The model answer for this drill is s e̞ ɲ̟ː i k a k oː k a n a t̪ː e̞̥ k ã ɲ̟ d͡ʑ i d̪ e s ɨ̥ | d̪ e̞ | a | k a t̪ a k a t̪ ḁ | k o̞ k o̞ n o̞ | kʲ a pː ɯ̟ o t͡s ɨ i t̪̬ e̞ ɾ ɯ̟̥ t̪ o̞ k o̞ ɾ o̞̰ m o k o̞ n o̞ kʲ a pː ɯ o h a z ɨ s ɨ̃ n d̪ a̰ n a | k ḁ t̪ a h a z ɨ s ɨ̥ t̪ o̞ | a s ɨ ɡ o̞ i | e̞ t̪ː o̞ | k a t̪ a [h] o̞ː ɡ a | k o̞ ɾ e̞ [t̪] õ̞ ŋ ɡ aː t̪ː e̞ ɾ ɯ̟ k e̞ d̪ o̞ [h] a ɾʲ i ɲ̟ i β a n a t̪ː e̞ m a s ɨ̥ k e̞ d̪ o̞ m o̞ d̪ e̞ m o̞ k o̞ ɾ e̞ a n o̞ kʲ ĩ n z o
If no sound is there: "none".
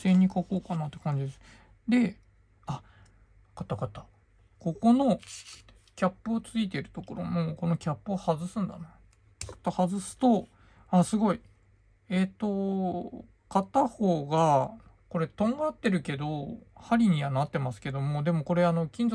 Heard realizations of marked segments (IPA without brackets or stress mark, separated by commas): h, t̪, h